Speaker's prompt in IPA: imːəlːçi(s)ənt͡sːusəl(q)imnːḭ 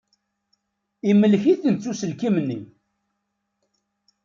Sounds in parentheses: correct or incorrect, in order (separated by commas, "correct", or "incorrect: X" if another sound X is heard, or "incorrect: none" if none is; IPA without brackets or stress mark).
incorrect: θ, incorrect: k